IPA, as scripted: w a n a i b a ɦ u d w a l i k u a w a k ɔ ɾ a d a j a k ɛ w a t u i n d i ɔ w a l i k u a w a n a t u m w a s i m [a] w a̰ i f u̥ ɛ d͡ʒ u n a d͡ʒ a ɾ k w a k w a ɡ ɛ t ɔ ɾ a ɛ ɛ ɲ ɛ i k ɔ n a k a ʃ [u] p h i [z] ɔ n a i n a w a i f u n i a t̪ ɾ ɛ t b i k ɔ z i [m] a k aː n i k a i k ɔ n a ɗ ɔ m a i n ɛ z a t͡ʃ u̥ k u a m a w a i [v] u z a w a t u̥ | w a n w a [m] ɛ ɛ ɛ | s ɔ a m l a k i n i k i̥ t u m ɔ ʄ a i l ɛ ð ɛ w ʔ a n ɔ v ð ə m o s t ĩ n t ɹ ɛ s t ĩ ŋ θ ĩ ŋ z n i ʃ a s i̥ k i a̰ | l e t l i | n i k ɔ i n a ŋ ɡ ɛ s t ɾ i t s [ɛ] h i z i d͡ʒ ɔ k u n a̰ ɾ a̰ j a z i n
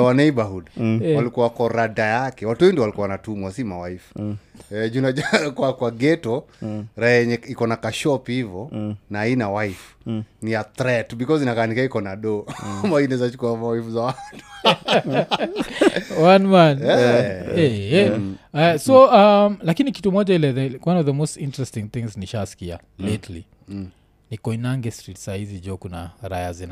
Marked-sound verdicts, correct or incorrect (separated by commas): correct, incorrect, incorrect, incorrect, incorrect, incorrect, incorrect